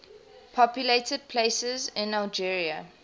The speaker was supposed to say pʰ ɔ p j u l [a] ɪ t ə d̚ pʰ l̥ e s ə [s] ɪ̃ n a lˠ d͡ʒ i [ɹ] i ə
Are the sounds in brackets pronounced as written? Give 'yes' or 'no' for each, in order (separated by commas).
no, no, yes